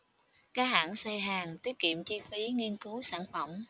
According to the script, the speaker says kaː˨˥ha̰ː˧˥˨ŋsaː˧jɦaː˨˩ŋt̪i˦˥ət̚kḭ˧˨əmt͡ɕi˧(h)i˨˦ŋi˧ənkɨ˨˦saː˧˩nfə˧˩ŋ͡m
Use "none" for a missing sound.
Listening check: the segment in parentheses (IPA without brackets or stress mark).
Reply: f